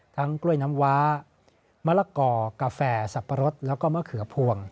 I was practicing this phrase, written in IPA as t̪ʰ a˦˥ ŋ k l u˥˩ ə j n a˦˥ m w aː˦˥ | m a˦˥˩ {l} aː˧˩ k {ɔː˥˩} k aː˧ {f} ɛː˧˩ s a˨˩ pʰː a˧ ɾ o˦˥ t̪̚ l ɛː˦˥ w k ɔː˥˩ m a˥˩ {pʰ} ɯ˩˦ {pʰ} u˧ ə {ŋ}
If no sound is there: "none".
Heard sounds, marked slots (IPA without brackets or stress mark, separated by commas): l, ɔː˧˩, f, kʰ, pʰ, ŋ